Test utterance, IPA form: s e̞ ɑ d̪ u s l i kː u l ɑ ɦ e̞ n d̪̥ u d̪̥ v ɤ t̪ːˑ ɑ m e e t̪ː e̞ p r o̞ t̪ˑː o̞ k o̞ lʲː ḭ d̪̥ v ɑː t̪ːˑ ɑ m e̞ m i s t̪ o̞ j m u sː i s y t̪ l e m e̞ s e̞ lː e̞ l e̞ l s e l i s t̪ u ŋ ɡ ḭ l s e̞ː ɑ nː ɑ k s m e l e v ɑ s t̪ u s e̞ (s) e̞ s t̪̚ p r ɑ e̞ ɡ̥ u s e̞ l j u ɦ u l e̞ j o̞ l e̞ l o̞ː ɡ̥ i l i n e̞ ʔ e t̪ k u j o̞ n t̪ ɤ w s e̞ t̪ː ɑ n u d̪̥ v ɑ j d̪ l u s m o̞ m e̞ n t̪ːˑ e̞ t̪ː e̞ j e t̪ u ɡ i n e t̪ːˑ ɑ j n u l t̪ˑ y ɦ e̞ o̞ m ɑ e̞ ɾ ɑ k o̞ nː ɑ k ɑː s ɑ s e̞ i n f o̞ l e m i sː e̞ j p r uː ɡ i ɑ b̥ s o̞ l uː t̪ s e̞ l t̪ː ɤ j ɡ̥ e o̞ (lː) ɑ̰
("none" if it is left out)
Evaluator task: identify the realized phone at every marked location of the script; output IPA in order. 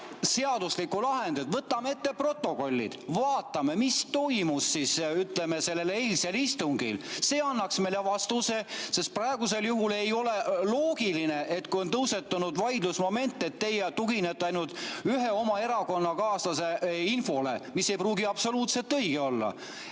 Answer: s, lː

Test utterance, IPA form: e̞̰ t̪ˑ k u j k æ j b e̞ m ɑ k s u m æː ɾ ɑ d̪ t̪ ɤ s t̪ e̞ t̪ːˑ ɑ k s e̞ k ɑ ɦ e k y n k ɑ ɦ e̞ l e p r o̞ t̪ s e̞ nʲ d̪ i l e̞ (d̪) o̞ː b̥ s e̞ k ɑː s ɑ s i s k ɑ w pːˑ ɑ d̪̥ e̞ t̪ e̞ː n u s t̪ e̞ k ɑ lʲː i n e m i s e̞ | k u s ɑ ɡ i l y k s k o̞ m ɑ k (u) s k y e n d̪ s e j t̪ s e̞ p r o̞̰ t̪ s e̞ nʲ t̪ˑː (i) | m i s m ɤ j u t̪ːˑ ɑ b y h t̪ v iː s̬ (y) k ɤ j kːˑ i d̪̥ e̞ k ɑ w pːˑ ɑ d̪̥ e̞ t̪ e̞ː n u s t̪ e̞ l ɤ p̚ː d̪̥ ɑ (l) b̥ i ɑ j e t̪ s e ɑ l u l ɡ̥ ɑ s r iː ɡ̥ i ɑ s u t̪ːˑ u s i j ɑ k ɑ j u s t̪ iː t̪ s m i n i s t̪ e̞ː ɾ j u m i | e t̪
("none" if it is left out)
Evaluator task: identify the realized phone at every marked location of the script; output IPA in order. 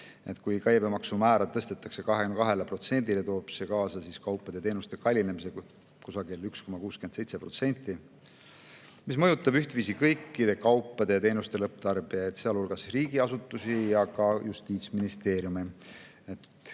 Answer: t̪, uː, i, i, r

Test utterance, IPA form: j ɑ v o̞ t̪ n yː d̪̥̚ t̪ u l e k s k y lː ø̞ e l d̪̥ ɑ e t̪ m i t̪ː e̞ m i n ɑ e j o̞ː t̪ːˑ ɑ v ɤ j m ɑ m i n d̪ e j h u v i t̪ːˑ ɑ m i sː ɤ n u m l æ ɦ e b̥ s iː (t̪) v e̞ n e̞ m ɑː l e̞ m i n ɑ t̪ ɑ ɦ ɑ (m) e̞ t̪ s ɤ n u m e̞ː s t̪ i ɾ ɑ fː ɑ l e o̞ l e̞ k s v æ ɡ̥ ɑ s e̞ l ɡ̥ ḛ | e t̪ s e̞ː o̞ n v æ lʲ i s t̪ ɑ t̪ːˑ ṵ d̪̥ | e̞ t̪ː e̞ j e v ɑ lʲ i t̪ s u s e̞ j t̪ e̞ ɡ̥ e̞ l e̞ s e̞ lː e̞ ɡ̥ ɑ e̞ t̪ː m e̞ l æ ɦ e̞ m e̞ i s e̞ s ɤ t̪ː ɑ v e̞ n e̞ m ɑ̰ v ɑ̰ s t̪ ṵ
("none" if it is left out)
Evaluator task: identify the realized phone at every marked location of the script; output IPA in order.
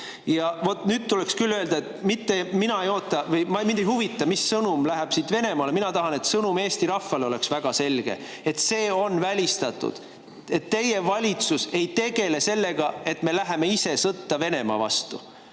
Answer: t̪, n

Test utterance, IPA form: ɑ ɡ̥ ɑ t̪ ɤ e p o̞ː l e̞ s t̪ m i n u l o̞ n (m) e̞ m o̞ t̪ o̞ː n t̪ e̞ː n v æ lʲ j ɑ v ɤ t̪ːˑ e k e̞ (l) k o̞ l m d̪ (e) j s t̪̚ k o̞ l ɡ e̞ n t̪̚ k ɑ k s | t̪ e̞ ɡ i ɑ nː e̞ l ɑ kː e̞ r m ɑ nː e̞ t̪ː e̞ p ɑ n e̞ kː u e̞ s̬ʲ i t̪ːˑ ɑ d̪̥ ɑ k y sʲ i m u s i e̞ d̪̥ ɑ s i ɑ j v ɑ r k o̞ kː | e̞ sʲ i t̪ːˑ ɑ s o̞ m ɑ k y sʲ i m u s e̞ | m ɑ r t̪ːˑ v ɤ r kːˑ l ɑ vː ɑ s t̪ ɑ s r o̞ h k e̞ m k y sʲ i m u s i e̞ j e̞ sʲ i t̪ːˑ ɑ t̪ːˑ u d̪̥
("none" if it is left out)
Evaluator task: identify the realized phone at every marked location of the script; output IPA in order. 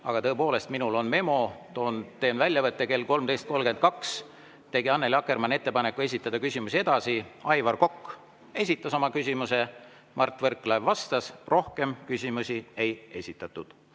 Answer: m, l, e

